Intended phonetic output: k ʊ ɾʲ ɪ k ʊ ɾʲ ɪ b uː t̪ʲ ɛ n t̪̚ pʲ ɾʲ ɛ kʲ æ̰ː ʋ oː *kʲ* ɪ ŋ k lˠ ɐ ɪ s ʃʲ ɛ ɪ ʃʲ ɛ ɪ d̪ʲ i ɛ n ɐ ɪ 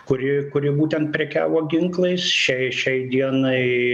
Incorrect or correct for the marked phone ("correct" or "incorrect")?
incorrect